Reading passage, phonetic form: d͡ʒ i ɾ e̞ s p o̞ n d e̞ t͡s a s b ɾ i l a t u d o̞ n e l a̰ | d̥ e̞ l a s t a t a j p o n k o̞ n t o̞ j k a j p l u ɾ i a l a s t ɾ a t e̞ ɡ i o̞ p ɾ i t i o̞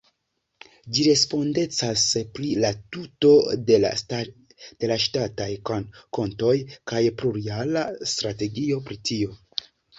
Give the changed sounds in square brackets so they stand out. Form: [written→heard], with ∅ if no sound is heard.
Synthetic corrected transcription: d͡ʒ i ɾ e̞ s p o̞ n d e̞ t͡s a s [b→p] ɾ i l a t u [d→t] o̞ [n→d] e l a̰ | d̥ e̞ l a [s→ʃ] t a t a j [p→k] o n k o̞ n t o̞ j k a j p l u ɾ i a l a s t ɾ a t e̞ ɡ i o̞ p ɾ i t i o̞